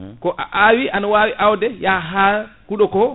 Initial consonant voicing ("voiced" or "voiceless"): voiceless